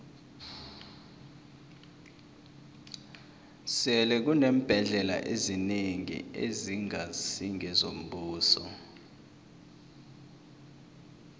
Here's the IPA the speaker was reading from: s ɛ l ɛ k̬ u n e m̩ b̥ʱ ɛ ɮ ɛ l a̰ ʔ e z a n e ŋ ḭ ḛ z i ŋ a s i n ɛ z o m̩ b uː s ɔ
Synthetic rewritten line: s ɛ l ɛ k̬ u n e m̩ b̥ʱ ɛ ɮ ɛ l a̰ ʔ e z i n e ŋ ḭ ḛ z i ŋ a s i ŋ ɛ z o m̩ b uː s ɔ